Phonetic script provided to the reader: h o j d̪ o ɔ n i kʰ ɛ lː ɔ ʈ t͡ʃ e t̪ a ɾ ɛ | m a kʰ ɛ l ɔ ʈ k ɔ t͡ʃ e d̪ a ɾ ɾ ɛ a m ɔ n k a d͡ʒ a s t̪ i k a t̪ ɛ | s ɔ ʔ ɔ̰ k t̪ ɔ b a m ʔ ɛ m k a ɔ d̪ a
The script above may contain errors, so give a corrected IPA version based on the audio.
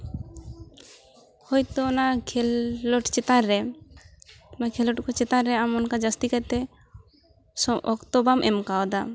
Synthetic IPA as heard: h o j t̪ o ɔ n a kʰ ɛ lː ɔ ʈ t͡ʃ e t̪ a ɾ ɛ | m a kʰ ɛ l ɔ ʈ k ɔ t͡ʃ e t̪ a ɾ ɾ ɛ a m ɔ n k a d͡ʒ a s t̪ i k a t̪ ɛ | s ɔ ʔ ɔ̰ k t̪ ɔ b a m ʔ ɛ m k a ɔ d̪ a